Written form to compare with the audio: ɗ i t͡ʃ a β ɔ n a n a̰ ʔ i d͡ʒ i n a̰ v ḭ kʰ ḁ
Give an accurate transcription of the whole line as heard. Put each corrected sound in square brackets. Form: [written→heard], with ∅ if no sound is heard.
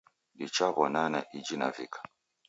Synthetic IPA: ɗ i t͡ʃ a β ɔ n a n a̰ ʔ i d͡ʒ i n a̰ v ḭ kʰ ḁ